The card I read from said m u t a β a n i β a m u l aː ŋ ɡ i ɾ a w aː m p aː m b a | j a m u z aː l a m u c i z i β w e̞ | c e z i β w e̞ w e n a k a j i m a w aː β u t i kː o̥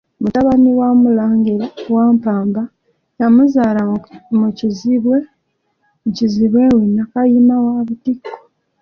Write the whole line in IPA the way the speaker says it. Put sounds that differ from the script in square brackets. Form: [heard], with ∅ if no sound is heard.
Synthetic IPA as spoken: m u t a β a n i [w] a m u l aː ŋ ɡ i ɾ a w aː m p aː m b a | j a m u z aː l a m u c i z i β w e̞ | c [i] z i β w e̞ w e n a k a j i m a w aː β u t i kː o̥

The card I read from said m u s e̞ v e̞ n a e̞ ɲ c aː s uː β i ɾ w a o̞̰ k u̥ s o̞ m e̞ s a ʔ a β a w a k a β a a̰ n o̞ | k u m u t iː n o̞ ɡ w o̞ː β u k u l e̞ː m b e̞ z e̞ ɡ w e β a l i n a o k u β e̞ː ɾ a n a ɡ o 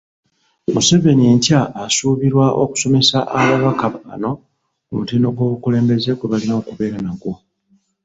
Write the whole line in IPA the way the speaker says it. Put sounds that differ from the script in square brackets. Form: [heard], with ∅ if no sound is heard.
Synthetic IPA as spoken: m u s e̞ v e̞ n [i] e̞ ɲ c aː s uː β i ɾ w a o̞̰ k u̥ s o̞ m e̞ s a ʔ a β a [β] a k a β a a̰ n o̞ | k u m u t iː n o̞ ɡ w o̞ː β u k u l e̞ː m b e̞ z e̞ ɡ w e β a l i n a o k u β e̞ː ɾ a n a ɡ o

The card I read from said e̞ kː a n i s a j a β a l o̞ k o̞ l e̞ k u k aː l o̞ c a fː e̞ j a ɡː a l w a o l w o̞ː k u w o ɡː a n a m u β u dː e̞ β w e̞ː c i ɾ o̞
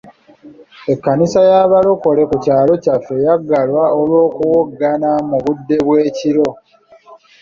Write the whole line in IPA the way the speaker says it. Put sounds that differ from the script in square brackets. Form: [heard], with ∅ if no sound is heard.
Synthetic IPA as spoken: e̞ kː a n i s a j a β a l o̞ k o̞ l e̞ k u [c] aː l o̞ c a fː e̞ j a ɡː a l w a o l w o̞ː k u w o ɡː a n a m u β u dː e̞ β w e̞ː c i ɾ o̞

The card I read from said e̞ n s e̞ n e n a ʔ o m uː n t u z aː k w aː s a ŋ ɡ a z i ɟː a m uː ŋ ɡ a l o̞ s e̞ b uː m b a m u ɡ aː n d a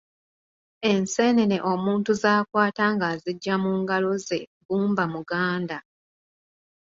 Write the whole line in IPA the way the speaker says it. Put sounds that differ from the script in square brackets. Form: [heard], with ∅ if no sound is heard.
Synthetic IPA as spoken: e̞ n s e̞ n e n [e] ʔ o m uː n t u z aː k w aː [t] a ŋ ɡ a z i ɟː a m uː ŋ ɡ a l o̞ [z] e̞ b uː m b a m u ɡ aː n d a

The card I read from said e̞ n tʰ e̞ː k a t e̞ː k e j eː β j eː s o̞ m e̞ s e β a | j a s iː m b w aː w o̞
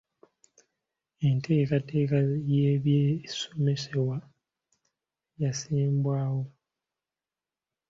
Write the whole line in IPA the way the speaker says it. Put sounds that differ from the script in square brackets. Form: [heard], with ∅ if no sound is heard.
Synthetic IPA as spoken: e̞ n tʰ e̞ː k a t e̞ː k [a] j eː β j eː s o̞ m e̞ s e [w] a | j a s iː m b w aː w o̞

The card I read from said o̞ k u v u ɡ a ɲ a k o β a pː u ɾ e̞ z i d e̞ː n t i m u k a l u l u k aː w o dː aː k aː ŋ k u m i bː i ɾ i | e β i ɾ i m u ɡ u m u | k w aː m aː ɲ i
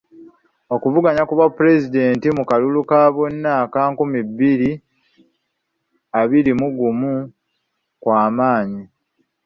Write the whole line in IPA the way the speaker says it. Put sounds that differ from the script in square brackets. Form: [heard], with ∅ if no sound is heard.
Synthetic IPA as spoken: o̞ k u v u ɡ a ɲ a k [u] β a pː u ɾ e̞ z i d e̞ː n t i m u k a l u l u k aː [β] o [nː] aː k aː ŋ k u m i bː i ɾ i | [a] β i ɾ i m u ɡ u m u | k w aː m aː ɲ i

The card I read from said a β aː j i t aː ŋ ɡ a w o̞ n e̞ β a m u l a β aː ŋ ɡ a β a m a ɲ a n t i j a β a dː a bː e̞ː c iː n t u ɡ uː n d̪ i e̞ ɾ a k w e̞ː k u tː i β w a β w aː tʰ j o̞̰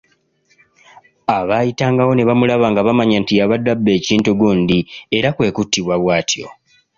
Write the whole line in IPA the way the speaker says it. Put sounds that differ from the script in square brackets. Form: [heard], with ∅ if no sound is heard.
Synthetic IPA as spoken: a β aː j i t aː ŋ ɡ a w o̞ n e̞ β a m u l a β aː ŋ ɡ a β a m a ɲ a n t i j a β a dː a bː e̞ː c iː n t u ɡ uː n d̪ i e̞ ɾ a k w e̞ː k u tː i β w a β w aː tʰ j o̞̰

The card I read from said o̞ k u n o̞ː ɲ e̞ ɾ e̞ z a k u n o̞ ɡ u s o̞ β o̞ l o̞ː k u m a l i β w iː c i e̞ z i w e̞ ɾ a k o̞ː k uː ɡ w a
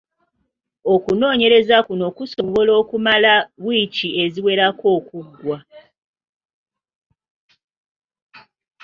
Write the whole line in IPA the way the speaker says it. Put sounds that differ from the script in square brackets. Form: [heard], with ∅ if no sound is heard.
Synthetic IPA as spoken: o̞ k u n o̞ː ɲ e̞ ɾ e̞ z a k u n o̞ [k] u s o̞ β o̞ l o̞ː k u m a l [a] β w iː c i e̞ z i w e̞ ɾ a k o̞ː k [u] ɡ w a

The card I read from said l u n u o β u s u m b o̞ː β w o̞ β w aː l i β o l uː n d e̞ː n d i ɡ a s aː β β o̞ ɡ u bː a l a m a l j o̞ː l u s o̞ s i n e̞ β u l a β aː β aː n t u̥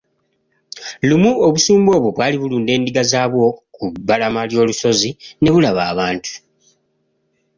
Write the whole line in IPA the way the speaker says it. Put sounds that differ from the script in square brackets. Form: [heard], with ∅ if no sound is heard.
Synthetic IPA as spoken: l u [m] u o β u s [uː] m b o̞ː β w o̞ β w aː l i β [u] l uː n d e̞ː n d i ɡ a [z] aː β [w] o̞ [k] u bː a l a m a l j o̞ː l u s o̞ [z] i n e̞ β u l a β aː β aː n t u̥

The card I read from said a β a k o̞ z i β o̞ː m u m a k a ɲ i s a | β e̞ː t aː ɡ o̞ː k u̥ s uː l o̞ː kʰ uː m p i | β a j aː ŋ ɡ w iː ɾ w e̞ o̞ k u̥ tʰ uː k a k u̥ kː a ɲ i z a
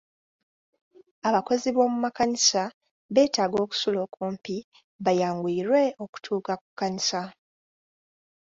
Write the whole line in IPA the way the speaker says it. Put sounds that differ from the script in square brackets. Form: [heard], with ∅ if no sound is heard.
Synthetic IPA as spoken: a β a k o̞ z i β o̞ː m u m a k a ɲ i s a | β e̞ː t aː ɡ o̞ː k u̥ s [u] l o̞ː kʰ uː m p i | β a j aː ŋ ɡ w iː ɾ w e̞ o̞ k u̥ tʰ uː k a k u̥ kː a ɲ i [s] a

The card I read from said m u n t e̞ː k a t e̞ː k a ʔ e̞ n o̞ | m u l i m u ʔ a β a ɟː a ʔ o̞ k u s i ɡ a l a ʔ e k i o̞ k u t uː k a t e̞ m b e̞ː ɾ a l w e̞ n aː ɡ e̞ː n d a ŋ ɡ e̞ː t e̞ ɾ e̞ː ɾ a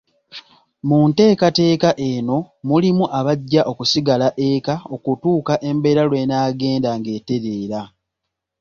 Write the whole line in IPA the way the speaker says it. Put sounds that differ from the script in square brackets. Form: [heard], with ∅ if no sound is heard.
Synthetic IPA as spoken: m u n t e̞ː k a t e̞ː k a ʔ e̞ n o̞ | m u l i m u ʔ a β a ɟː a ʔ o̞ k u s i ɡ a l a ʔ e k [a] o̞ k u t uː k a [ʔ] e̞ m b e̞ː ɾ a l w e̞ n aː ɡ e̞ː n d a ŋ ɡ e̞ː t e̞ ɾ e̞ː ɾ a

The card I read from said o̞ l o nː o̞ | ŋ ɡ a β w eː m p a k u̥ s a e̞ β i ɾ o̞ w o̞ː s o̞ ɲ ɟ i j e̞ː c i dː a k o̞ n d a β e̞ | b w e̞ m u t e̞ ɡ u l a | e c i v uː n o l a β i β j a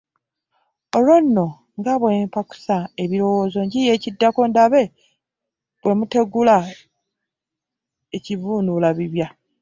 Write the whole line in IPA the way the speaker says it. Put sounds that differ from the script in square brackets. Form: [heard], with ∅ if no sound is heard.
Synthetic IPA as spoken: o̞ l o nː o̞ | ŋ ɡ a β w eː m p a k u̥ s a e̞ β i ɾ o̞ w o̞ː [z] o̞ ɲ ɟ i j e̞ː c i dː a k o̞ n d a β e̞ | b w e̞ m u t e̞ ɡ u l a | e c i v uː n [u] l a β i β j a

